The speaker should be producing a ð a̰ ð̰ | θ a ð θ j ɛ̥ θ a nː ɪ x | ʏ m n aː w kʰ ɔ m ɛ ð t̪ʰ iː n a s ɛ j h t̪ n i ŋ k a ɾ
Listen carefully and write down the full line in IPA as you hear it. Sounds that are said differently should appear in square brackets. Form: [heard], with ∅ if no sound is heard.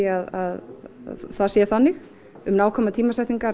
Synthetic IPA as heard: a ð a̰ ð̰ | θ a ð [s] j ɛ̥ θ a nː ɪ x | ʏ m n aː w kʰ ɔ m [a] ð t̪ʰ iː [m] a s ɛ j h t̪ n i ŋ k a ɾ